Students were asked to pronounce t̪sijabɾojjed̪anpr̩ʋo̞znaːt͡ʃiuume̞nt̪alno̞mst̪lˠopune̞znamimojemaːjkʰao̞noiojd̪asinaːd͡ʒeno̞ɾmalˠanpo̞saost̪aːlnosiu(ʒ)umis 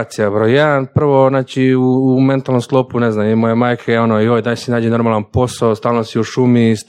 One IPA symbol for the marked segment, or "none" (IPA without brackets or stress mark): ʃ